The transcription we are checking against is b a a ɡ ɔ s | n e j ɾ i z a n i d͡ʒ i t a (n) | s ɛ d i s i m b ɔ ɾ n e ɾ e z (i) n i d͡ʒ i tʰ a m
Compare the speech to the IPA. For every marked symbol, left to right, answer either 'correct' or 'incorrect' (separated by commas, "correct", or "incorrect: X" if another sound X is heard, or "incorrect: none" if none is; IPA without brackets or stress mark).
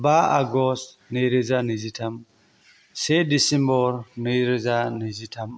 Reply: incorrect: m, incorrect: a